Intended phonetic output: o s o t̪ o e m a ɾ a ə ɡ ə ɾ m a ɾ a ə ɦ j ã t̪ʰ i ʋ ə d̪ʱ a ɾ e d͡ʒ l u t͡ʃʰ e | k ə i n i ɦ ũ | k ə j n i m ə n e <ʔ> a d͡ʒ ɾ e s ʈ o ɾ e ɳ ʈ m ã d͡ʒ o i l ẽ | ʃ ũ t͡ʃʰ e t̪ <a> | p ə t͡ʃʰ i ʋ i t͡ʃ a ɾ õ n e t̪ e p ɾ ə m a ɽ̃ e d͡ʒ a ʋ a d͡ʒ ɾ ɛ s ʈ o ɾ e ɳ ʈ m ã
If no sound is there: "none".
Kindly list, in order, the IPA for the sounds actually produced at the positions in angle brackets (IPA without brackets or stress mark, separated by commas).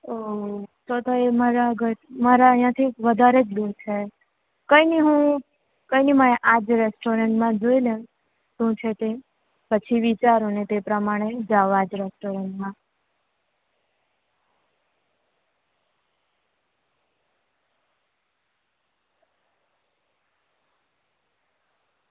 ʔ, e